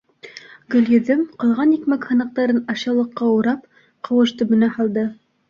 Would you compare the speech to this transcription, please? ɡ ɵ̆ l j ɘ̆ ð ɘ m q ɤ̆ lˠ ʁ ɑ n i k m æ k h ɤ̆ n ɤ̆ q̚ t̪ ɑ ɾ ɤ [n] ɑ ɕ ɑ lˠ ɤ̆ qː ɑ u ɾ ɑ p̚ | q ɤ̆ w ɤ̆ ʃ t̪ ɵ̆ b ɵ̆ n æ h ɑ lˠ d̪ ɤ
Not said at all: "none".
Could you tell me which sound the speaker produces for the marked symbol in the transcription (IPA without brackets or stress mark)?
n